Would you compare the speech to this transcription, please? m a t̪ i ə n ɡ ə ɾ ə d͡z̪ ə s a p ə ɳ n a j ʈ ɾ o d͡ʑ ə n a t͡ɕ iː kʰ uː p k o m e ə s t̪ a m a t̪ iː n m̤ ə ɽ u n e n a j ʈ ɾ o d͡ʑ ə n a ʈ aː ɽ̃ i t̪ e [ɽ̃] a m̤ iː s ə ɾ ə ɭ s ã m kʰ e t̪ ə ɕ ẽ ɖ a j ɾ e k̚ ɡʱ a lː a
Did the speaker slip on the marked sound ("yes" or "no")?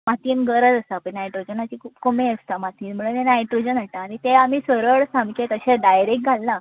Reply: yes